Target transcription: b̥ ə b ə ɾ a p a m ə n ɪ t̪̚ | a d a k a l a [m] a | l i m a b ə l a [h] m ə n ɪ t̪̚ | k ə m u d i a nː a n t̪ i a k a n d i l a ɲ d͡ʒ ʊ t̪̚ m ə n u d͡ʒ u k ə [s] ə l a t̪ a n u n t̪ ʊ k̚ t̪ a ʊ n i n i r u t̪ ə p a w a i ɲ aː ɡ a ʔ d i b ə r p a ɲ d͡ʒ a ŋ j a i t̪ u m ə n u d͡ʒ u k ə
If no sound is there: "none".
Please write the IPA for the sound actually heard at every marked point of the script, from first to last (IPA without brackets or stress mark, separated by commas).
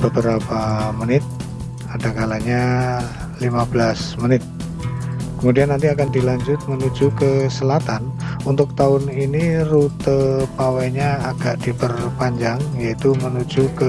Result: ɲ, s, s